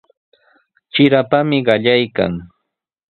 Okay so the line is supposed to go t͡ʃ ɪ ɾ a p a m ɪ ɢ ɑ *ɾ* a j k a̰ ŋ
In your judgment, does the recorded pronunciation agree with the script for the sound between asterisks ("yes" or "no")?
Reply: no